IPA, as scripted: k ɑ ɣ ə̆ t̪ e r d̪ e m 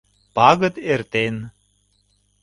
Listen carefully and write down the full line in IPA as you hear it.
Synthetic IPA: p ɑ ɣ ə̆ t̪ e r t̪ e n